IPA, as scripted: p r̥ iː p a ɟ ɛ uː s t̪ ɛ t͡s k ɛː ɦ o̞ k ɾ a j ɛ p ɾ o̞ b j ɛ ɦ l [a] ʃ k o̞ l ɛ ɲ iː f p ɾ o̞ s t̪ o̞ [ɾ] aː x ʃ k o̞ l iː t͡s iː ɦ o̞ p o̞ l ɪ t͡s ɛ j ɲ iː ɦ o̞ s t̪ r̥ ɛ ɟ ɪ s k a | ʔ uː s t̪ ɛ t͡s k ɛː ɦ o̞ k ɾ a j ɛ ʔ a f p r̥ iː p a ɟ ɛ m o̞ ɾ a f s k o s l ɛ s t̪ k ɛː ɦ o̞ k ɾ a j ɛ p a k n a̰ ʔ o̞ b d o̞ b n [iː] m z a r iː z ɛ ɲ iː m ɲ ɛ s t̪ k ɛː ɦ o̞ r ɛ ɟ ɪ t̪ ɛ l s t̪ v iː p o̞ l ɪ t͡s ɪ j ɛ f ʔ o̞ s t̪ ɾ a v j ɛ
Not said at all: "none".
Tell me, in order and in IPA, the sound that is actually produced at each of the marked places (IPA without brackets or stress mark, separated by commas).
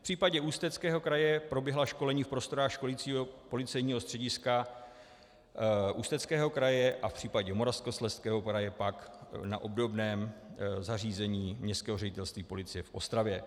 a, ɾ, ɛː